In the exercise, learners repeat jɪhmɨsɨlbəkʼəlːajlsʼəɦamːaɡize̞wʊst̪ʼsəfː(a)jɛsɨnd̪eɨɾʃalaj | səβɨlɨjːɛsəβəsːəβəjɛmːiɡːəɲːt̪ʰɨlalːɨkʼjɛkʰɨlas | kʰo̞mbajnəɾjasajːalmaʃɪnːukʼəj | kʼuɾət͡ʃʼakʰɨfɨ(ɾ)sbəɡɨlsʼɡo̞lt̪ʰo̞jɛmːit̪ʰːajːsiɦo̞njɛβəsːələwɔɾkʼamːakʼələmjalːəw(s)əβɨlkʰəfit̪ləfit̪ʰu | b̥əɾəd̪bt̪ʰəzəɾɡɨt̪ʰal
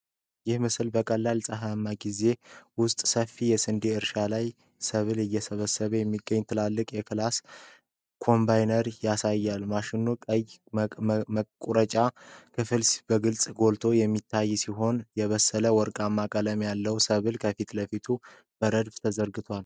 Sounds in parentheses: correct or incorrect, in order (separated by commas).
incorrect, incorrect, correct